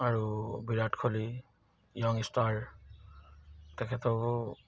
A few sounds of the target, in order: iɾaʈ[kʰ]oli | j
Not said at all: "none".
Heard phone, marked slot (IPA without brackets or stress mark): kʰ